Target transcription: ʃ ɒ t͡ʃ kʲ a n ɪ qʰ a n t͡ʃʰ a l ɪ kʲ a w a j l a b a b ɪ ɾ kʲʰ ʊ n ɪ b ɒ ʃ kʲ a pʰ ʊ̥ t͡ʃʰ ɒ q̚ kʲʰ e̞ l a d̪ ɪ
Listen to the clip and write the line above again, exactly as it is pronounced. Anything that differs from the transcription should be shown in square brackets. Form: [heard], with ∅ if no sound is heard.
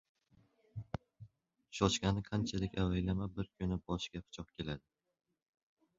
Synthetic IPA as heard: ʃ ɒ t͡ʃ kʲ a n ɪ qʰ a n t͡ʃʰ a l ɪ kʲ a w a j l a [m] a b ɪ ɾ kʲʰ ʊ n ɪ b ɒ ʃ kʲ a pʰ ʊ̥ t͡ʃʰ ɒ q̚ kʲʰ e̞ l a d̪ ɪ